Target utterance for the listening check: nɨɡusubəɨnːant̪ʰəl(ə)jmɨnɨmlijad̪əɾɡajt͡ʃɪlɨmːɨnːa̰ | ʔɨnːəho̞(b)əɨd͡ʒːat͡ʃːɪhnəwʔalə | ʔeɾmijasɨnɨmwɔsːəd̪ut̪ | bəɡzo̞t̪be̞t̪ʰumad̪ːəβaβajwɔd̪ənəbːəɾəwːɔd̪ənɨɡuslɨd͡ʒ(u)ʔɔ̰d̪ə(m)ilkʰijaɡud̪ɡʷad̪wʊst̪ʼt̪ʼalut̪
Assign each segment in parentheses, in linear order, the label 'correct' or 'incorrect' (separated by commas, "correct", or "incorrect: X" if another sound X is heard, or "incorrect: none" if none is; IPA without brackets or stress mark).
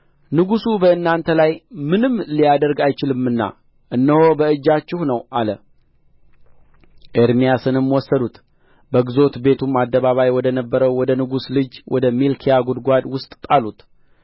incorrect: a, correct, incorrect: w, correct